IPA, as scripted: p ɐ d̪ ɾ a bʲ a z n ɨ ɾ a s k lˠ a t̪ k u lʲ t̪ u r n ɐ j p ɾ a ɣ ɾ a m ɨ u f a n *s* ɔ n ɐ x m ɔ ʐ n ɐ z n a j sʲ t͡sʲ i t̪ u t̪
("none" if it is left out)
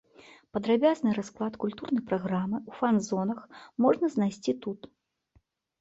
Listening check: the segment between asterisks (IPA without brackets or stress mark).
z